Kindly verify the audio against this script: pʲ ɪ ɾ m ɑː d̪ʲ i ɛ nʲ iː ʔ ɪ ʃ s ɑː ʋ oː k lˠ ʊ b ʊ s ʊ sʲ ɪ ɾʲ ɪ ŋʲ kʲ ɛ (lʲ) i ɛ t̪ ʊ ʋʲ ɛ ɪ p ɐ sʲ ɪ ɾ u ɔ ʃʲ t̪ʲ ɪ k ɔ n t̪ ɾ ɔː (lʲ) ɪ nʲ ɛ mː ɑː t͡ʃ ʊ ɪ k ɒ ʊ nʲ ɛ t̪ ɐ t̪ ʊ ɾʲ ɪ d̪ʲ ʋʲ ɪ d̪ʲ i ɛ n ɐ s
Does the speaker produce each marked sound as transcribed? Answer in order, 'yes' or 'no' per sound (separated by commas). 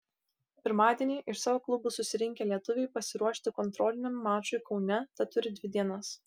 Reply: yes, yes